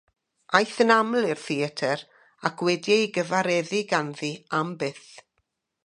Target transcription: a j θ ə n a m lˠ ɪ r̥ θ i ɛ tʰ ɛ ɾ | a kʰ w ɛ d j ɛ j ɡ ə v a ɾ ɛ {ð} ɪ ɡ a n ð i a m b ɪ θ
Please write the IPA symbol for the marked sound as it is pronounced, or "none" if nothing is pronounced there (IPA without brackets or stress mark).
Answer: ð